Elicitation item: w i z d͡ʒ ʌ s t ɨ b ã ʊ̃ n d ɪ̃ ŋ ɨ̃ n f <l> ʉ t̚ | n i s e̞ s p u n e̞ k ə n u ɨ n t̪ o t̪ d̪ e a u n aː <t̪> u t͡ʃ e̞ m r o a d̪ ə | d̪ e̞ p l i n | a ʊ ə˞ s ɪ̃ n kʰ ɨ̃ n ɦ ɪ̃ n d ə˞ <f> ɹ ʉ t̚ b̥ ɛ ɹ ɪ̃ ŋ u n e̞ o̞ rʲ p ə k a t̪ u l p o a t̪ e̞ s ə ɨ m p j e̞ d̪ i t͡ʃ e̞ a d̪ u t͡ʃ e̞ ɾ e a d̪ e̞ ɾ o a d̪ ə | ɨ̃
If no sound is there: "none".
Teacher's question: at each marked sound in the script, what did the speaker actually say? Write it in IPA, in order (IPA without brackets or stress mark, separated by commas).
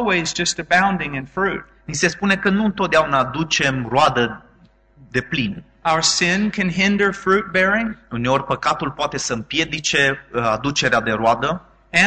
ɹ, d̪, f